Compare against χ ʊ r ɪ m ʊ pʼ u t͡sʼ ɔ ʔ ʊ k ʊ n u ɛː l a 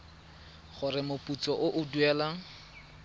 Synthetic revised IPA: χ ʊ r ɪ m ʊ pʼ u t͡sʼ ɔ ʔ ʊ ʔ ʊ d u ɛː l a